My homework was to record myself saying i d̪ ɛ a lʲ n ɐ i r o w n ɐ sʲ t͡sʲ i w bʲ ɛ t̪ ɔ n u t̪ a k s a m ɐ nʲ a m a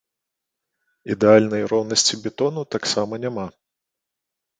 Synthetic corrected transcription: i d̪ ɛ a lʲ n ɐ j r ɔ w n ɐ sʲ t͡sʲ i bʲ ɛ t̪ ɔ n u t̪ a k s a m ɐ nʲ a m a